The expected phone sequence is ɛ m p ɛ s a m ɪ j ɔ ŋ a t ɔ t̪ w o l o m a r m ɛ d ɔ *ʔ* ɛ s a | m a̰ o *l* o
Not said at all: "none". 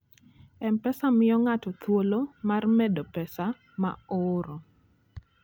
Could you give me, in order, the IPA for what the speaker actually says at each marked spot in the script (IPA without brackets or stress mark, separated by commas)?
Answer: p, ɾ